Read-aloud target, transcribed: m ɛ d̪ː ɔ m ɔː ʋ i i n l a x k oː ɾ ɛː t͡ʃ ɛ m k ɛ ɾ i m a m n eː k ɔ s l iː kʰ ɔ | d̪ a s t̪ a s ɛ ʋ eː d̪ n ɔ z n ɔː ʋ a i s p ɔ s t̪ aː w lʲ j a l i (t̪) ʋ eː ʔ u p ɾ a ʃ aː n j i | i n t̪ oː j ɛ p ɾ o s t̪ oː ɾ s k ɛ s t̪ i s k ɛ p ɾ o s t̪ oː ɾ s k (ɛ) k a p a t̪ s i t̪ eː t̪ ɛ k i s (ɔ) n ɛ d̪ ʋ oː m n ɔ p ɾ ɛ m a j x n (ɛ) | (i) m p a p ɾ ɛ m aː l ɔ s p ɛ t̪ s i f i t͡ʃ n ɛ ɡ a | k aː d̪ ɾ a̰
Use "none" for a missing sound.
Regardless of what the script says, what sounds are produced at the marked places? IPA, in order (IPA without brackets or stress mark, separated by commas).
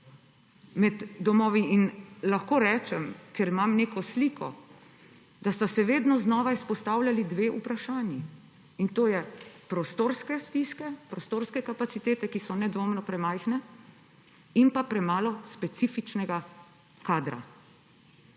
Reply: d̪, ɛ, ɔ, ɛ, i